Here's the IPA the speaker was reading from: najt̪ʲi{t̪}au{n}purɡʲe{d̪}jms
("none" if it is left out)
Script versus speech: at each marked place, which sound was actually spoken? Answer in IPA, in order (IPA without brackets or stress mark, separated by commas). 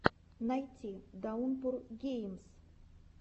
d̪, n, none